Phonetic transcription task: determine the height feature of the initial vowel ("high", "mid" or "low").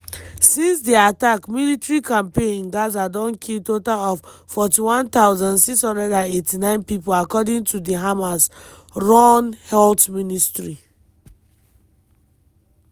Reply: high